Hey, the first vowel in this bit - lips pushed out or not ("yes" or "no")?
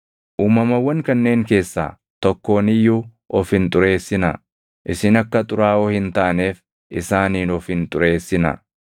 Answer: yes